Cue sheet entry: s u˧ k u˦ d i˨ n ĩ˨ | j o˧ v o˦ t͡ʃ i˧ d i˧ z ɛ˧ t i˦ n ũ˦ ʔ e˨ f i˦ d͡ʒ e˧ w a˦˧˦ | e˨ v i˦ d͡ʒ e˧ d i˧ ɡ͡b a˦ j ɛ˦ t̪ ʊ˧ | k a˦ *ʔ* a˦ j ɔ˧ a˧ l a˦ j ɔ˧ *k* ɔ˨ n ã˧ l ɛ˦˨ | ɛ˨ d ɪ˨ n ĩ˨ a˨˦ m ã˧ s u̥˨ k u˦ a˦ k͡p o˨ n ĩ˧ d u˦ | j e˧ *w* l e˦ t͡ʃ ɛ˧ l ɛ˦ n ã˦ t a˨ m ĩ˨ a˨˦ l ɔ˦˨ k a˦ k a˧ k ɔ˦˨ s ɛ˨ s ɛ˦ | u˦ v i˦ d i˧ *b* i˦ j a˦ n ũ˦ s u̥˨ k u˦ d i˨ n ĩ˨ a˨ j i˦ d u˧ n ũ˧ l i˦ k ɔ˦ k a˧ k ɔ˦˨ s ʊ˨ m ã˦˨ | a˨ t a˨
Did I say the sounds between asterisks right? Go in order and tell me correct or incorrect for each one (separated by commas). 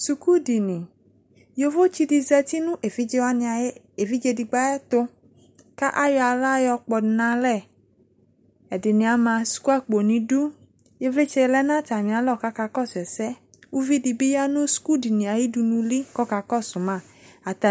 correct, incorrect, incorrect, correct